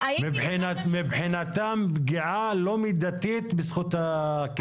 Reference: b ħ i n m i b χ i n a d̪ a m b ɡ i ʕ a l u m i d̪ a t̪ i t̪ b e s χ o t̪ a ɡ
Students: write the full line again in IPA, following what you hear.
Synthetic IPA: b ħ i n m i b ħ i n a t̪ a m b ɡ i ʕ a l o m i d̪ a t̪ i t̪ b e s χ u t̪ a k